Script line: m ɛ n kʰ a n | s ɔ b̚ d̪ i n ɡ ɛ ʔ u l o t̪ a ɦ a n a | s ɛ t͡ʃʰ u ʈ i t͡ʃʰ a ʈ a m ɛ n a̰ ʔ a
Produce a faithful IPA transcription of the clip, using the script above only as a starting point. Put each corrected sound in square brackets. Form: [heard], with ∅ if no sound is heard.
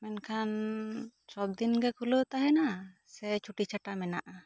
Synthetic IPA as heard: m ɛ n kʰ a n | s ɔ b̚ d̪ i n ɡ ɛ [k] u l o t̪ a ɦ [ɛ] n a | s ɛ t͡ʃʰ u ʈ i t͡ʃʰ a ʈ a m ɛ n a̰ ʔ a